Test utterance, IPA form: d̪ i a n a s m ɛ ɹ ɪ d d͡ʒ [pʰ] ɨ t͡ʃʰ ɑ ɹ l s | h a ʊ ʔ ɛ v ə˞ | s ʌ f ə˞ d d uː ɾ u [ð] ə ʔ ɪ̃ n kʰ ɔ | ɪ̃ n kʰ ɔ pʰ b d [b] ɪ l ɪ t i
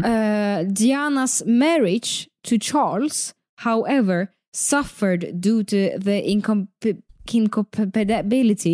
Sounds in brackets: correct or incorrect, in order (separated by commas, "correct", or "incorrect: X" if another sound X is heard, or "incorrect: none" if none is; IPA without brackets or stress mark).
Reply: incorrect: tʰ, correct, correct